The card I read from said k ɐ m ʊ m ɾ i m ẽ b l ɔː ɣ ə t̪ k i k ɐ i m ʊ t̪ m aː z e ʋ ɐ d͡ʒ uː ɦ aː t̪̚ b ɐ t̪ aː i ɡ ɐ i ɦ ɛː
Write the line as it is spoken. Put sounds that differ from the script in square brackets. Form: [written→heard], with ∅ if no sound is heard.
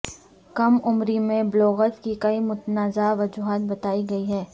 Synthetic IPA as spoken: k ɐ m ʊ m ɾ i m ẽ b l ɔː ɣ ə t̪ k i k ɐ i m ʊ t̪ [m→n] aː z [e→a] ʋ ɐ d͡ʒ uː ɦ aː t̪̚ b ɐ t̪ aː i ɡ ɐ i ɦ ɛː